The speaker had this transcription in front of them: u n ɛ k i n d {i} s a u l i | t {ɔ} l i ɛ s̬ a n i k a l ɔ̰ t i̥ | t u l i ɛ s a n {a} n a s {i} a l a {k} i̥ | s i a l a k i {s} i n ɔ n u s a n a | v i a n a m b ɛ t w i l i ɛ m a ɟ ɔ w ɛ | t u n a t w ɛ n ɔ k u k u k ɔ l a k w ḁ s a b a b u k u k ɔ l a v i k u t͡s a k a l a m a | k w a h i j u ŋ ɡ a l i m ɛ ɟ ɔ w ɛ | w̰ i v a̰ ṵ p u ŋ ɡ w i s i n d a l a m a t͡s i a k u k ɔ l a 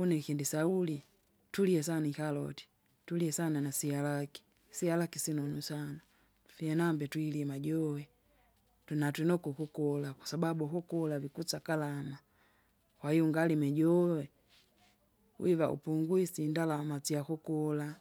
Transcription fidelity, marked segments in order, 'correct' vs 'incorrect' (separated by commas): correct, incorrect, correct, correct, correct, correct